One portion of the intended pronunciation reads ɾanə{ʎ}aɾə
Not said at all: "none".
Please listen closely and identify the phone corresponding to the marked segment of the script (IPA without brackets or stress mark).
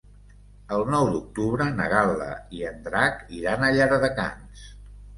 ʎ